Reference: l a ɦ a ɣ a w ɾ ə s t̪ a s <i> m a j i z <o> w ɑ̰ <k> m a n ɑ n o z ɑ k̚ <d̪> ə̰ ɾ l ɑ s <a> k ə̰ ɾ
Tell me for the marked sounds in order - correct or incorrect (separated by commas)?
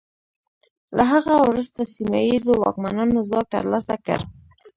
correct, correct, correct, incorrect, correct